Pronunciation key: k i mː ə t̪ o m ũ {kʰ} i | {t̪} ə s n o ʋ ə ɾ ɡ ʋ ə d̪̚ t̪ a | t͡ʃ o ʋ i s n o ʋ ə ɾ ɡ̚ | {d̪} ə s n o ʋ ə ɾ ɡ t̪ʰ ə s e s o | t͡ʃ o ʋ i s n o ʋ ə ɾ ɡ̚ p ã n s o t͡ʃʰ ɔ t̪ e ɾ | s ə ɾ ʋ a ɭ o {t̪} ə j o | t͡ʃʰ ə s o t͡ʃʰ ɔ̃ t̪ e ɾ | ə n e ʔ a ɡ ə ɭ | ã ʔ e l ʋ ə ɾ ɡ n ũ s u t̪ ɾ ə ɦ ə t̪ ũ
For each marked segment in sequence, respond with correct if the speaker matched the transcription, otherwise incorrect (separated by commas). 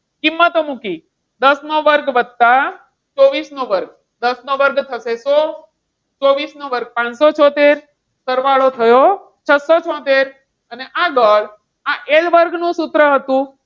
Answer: incorrect, incorrect, correct, incorrect